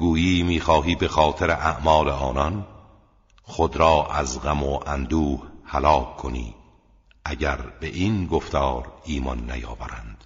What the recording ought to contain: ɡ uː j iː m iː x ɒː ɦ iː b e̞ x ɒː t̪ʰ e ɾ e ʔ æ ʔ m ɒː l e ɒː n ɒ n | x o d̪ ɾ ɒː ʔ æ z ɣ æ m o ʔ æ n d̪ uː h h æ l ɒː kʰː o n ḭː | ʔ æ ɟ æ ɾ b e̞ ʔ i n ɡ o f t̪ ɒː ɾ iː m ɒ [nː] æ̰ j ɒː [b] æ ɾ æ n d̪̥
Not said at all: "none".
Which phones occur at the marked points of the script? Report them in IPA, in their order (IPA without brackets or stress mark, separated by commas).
nː, v